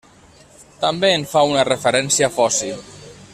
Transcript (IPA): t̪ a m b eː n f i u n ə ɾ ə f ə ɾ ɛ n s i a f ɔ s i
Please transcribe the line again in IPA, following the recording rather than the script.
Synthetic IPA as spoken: t̪ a m b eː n f a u n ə r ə f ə ɾ ɛ n s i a f ɔ s i